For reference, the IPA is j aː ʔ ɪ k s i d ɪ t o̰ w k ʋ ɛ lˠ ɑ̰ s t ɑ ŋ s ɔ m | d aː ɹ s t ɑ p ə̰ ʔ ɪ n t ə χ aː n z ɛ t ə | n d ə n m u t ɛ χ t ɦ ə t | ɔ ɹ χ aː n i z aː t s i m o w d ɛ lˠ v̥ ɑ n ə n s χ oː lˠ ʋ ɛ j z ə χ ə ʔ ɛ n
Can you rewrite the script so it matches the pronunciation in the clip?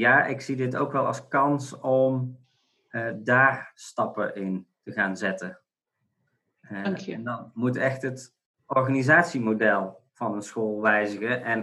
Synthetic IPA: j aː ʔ ɪ k s i d ɪ t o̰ w k ʋ ɛ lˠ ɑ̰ s k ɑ n s ɔ m | d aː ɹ s t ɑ p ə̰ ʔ ɪ n t ə χ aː n z ɛ t ə | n d ɑ n m u t ɛ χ t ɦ ə t | ɔ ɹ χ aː n i z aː t s i m o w d ɛ lˠ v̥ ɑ n ə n s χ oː lˠ ʋ ɛ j z ə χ ə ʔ ɛ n